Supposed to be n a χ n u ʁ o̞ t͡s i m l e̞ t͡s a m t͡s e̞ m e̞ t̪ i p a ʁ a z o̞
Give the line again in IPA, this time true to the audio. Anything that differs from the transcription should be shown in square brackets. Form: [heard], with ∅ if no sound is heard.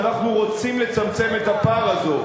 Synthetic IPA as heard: n a χ n u ʁ o̞ t͡s i m l e̞ t͡s a m t͡s e̞ m e̞ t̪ [a] p a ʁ a z o̞